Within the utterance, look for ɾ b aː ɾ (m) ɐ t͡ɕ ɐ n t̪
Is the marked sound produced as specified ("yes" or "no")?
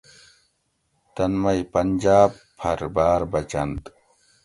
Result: no